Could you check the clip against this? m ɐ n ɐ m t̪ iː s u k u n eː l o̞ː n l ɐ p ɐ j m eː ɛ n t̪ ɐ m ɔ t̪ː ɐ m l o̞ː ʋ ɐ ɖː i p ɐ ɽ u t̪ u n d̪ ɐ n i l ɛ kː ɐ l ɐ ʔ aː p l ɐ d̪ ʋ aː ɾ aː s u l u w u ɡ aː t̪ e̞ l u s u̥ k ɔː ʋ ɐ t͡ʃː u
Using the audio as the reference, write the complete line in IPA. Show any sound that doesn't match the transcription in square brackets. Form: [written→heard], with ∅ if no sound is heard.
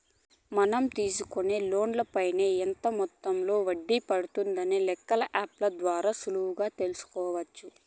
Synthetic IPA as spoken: m ɐ n ɐ m t̪ iː s u k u n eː l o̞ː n l ɐ p ɐ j [m→n] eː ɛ n t̪ ɐ m ɔ t̪ː ɐ m l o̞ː ʋ ɐ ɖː i p ɐ ɽ u t̪ u n d̪ ɐ n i l ɛ kː ɐ l ɐ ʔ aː p l ɐ d̪ ʋ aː ɾ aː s u l u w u ɡ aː t̪ e̞ l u s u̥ k ɔː ʋ ɐ t͡ʃː u